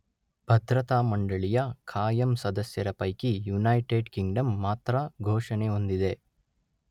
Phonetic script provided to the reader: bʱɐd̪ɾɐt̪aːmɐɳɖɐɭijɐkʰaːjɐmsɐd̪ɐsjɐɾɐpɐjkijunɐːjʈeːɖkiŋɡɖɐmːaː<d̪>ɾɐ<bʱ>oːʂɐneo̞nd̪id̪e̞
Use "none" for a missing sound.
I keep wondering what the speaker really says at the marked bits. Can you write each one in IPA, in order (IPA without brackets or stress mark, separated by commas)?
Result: t̪, ɡʱ